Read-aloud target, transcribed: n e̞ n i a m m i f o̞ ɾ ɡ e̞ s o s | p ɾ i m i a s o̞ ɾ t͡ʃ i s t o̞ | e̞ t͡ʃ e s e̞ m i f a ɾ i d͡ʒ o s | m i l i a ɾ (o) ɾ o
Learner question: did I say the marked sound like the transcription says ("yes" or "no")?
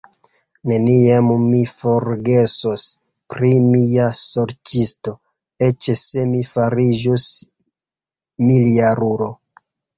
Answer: no